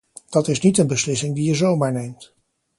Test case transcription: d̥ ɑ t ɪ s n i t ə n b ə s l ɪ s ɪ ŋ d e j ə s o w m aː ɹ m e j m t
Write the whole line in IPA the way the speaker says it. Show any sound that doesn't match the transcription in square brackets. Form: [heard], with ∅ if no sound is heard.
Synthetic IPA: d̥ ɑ t ɪ s n i t ə n b ə s l ɪ s ɪ ŋ d [i] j ə [z] o w m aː ɹ [n] e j m t